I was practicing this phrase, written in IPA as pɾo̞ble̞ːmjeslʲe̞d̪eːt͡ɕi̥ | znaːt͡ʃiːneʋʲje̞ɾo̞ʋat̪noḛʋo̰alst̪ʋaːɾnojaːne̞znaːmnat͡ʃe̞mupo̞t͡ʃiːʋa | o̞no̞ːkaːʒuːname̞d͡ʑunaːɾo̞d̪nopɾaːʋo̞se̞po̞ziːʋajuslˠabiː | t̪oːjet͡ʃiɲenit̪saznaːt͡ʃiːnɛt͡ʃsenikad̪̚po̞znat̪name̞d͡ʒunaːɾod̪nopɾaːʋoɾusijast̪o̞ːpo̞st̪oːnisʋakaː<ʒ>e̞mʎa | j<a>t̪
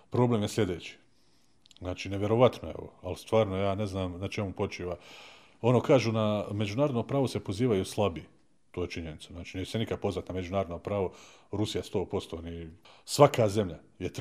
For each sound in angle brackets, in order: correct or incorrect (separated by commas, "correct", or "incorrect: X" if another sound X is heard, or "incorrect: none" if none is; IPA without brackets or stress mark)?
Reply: incorrect: z, incorrect: e